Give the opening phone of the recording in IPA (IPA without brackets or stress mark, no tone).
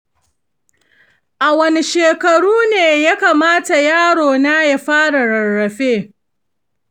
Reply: ʔ